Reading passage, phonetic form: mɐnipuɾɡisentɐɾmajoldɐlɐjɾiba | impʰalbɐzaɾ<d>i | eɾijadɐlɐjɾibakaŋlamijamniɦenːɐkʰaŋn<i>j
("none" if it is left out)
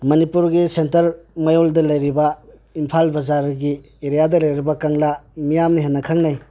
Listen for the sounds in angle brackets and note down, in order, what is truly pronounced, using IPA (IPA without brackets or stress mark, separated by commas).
ɡ, a